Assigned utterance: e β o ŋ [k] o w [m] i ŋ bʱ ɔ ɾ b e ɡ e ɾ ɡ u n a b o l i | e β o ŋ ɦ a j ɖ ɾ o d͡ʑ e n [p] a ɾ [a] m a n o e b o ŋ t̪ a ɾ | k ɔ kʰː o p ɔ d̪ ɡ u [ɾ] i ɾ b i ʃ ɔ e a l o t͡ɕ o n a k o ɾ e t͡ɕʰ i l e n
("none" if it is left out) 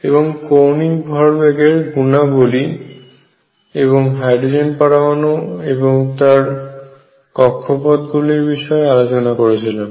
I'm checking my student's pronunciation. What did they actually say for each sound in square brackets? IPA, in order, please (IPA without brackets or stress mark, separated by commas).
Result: k, n, p, a, l